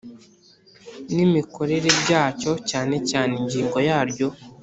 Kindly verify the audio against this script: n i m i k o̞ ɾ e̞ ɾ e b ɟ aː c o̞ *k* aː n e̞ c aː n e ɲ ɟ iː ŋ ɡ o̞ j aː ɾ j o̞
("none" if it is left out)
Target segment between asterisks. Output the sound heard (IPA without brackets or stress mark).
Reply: c